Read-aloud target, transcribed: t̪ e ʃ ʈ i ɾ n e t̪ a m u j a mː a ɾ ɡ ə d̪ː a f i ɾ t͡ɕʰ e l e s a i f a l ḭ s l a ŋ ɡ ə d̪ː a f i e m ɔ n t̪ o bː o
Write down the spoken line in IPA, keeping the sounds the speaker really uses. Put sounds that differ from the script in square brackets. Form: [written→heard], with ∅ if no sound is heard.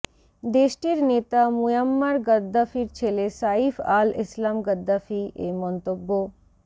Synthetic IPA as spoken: [t̪→d̪] e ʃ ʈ i ɾ n e t̪ a m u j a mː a ɾ ɡ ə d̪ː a f i ɾ t͡ɕʰ e l e s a i f a l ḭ s l a [ŋ→m] ɡ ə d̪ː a f i e m ɔ n t̪ o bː o